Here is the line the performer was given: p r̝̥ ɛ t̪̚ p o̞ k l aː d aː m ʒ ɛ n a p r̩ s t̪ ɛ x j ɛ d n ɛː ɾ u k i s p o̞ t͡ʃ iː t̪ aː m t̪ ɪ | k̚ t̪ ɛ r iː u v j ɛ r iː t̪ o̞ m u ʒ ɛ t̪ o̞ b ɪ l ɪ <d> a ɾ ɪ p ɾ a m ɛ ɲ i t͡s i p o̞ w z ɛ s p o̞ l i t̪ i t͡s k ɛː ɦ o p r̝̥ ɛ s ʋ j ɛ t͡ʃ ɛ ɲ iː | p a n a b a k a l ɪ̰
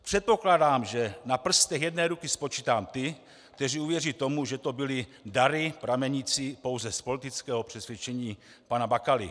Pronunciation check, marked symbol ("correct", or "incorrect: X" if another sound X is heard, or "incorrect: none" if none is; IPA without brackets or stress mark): correct